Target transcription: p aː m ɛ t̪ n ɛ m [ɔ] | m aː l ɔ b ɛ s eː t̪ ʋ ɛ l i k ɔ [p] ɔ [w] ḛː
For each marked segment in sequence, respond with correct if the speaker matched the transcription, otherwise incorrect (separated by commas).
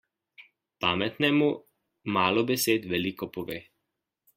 incorrect, correct, incorrect